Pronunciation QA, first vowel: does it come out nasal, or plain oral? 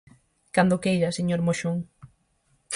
oral